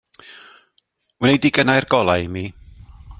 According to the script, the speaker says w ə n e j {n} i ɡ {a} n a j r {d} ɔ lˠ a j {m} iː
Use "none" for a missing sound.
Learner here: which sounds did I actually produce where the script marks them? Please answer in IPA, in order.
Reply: d, ə, ɡ, m

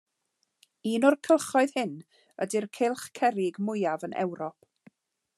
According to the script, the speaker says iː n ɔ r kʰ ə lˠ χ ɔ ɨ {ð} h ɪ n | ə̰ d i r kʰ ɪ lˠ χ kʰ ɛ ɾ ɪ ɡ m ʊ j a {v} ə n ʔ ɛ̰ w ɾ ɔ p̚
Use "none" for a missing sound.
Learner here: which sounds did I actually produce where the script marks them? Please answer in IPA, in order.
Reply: ð, v

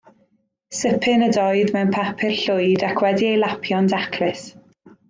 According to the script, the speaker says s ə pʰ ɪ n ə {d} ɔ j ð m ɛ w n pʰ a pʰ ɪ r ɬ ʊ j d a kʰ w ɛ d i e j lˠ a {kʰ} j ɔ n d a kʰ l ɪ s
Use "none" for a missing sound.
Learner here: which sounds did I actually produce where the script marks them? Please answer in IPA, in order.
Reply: d, pʰ

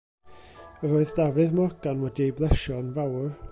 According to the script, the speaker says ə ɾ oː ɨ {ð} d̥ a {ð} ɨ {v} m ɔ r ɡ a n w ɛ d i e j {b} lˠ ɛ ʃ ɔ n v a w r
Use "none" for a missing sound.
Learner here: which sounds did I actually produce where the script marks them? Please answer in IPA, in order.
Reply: ð, v, ð, b

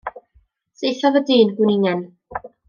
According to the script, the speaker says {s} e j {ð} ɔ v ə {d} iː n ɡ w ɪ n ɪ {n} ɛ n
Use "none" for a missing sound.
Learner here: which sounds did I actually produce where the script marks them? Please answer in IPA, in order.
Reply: s, θ, d, ŋ

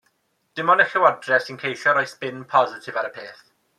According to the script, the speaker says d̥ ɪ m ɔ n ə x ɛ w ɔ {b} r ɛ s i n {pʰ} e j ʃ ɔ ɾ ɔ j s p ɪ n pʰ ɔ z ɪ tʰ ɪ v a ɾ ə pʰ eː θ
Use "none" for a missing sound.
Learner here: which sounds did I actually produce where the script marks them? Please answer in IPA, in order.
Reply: d, kʰ

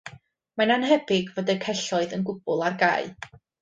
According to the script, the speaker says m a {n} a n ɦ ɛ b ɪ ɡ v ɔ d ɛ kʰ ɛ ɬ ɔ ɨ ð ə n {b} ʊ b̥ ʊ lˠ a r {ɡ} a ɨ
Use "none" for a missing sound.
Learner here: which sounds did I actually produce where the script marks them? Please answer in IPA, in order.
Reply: n, ɡ, ɡ

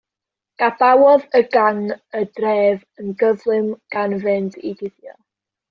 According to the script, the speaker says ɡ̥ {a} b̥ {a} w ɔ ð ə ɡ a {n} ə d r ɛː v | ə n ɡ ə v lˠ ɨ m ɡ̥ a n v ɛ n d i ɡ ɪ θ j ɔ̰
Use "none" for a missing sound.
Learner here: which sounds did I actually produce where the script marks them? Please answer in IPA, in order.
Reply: a, a, ŋ

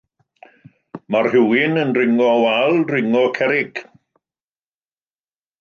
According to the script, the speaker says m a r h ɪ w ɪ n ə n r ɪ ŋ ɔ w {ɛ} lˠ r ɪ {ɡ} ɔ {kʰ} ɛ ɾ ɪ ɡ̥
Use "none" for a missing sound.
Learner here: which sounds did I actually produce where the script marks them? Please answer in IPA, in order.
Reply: a, ŋ, kʰ

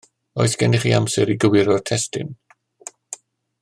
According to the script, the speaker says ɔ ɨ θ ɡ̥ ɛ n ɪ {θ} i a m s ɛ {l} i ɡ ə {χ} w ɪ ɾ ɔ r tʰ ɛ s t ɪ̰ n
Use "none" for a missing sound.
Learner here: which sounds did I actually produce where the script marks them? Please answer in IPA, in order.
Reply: χ, ɾ, none

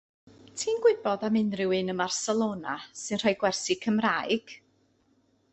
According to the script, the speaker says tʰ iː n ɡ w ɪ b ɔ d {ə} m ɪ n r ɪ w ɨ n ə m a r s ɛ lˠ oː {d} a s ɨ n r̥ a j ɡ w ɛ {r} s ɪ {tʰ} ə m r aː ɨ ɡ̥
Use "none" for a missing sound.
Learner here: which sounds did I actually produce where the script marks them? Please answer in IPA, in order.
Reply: a, n, r, kʰ

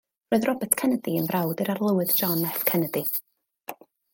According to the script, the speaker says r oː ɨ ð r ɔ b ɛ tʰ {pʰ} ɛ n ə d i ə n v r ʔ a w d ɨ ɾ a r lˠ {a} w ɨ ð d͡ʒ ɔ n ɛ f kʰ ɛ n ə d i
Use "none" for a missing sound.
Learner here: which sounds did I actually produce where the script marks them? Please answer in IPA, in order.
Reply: kʰ, ə

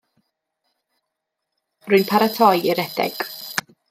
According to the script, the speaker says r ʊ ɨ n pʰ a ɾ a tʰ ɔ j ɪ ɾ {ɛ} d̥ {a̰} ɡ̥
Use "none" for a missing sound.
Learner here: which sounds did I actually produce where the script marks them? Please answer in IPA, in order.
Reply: ɛ, ɛ̰

